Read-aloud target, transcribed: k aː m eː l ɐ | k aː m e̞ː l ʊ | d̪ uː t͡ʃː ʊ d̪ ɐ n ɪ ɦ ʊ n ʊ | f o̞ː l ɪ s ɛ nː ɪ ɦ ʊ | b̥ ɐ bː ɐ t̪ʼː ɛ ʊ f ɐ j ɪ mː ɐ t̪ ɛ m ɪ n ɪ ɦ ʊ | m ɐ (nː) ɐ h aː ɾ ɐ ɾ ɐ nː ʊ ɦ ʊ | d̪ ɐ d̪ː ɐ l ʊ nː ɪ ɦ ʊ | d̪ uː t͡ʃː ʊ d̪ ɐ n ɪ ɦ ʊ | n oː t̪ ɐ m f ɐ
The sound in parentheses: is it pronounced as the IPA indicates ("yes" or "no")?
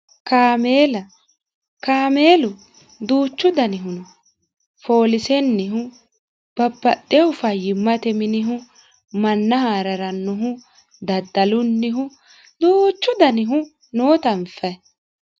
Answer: yes